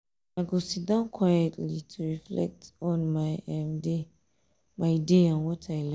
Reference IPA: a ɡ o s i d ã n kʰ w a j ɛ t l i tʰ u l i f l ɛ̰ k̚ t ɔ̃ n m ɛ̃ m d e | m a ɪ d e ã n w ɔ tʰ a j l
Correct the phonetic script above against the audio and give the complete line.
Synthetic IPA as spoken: a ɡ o s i d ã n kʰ w a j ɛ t l i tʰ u ɹ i f l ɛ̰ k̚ t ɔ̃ n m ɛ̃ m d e | m a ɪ d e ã n w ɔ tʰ a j l